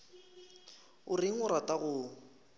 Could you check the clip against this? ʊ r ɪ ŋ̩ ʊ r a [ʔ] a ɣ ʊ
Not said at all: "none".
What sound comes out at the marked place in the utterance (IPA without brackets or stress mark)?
t